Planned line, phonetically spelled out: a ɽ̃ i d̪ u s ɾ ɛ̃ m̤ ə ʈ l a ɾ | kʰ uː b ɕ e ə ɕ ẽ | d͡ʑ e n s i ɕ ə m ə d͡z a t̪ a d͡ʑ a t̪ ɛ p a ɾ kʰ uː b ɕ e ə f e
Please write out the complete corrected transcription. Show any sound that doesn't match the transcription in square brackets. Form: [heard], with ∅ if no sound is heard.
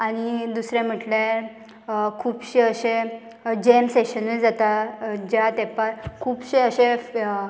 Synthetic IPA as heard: a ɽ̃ i d̪ u s ɾ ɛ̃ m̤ ə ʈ l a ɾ | kʰ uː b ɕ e ə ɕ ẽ | d͡ʑ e [m] s [e] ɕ ə [n] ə d͡z a t̪ a d͡ʑ a t̪ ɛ p a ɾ kʰ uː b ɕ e ə [ɕ] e